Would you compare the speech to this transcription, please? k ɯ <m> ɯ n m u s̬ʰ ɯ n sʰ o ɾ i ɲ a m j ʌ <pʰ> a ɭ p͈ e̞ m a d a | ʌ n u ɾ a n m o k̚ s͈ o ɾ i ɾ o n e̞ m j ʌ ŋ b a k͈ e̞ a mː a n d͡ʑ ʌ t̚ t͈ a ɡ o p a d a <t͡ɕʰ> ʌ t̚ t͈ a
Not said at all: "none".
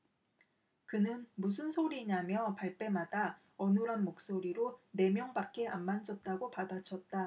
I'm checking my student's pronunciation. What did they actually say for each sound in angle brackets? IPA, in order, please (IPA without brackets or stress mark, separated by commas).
n, p, t͡ɕʰ